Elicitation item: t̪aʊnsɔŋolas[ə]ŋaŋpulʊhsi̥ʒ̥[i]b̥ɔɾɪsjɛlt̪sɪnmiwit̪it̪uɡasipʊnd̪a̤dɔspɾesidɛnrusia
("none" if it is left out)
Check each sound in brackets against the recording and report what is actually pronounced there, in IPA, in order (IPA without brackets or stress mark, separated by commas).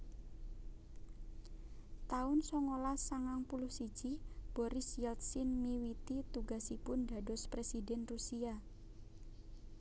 a, i